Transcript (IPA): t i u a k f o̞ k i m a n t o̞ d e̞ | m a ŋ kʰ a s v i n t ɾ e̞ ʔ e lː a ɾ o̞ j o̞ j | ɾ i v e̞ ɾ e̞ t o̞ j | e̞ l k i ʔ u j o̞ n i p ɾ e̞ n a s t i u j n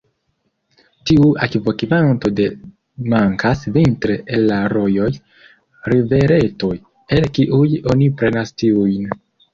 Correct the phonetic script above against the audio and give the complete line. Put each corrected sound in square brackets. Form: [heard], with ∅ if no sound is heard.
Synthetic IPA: t i u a k [v] o̞ k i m a n t o̞ d e̞ | m a ŋ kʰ a s v i n t ɾ e̞ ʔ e lː a ɾ o̞ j o̞ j | ɾ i v e̞ ɾ e̞ t o̞ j | e̞ l k i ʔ u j o̞ n i p ɾ e̞ n a s t i u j n